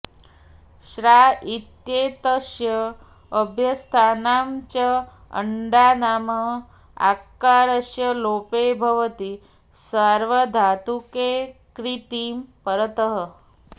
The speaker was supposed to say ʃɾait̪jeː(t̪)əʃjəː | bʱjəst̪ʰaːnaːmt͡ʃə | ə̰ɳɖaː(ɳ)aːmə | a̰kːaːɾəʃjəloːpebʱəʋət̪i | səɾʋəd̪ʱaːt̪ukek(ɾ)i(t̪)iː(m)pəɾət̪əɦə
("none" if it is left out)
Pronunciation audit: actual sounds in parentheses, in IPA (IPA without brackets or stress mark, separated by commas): t̪, n, ɾ, t̪, m